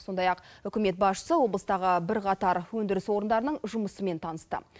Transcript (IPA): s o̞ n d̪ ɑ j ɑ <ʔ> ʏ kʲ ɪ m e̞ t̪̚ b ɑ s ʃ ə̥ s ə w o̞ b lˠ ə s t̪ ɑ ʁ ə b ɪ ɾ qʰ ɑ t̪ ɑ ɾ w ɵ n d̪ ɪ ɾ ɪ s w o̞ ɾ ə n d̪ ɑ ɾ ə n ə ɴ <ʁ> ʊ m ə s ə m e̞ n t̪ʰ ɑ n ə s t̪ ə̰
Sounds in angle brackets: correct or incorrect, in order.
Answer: incorrect, incorrect

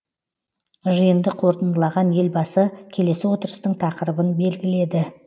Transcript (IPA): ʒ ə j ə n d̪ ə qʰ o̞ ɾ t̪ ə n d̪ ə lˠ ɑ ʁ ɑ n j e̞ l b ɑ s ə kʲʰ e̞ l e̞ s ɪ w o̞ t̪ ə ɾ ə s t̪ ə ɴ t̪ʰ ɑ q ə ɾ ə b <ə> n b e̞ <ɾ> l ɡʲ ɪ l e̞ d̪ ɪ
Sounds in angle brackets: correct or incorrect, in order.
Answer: correct, incorrect

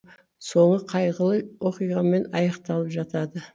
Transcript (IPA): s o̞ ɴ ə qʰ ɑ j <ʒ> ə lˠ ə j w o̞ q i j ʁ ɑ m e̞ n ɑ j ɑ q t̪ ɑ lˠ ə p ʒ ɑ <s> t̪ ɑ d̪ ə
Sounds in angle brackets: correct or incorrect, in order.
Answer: incorrect, incorrect

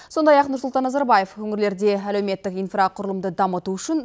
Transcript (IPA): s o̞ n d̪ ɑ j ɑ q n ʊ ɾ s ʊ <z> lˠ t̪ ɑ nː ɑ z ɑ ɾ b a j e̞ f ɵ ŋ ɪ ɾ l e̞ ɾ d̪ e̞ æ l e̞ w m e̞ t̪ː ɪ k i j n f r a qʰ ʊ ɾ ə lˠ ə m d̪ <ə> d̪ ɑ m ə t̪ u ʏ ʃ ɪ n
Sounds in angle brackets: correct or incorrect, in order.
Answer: incorrect, correct

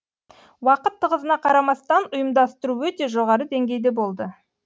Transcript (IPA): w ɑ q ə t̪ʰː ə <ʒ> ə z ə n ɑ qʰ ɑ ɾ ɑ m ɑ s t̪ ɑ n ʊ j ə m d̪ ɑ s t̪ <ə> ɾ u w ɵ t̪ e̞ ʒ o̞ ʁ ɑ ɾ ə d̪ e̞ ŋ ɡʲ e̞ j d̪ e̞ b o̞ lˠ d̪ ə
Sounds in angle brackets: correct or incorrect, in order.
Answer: incorrect, correct

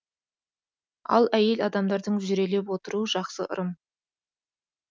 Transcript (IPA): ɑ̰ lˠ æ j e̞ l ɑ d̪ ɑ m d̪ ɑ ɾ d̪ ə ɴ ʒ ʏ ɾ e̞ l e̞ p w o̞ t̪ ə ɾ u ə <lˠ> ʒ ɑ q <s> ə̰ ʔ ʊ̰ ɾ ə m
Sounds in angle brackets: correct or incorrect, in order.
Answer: incorrect, correct

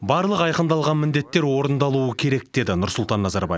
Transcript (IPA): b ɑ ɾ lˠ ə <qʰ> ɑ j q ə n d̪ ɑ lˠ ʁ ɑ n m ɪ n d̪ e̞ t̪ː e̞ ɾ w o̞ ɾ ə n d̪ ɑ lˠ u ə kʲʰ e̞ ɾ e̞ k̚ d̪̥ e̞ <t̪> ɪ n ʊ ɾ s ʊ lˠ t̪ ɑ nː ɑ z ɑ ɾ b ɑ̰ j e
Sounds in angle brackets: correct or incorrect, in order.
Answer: incorrect, incorrect

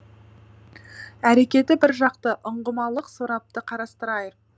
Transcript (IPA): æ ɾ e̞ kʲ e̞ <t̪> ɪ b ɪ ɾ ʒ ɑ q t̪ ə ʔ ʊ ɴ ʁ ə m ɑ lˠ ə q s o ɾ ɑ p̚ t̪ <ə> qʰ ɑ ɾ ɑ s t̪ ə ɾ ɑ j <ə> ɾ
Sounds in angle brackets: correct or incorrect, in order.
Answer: correct, correct, correct

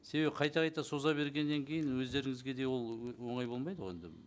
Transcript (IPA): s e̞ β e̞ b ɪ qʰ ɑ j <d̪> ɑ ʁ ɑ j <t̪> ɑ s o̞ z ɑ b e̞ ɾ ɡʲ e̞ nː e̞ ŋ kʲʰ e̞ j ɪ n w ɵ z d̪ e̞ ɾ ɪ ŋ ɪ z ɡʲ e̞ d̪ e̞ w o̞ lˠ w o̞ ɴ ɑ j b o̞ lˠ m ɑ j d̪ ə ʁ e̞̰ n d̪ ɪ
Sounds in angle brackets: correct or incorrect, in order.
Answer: incorrect, correct

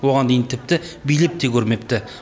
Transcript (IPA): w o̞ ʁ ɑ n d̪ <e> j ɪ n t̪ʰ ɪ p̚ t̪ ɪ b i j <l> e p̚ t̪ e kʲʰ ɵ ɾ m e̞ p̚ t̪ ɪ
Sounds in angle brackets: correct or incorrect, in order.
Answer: correct, correct

